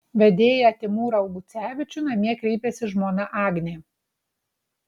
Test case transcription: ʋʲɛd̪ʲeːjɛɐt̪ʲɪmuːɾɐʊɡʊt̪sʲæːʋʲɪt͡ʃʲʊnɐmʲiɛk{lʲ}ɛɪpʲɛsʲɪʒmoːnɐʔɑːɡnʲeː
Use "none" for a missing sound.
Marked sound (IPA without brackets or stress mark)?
ɾʲ